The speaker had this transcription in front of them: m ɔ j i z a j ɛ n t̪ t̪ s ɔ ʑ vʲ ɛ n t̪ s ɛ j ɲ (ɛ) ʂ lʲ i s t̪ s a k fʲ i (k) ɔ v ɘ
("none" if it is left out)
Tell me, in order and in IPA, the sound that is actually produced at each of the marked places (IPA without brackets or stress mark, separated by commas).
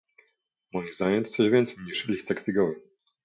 i, ɡ